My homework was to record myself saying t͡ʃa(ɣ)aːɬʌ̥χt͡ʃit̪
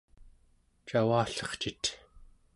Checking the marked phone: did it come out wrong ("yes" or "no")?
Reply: yes